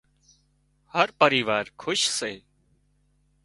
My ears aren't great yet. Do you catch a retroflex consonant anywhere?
no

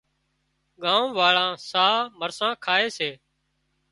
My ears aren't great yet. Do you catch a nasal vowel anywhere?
yes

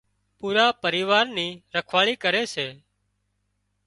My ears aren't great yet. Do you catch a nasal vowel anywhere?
no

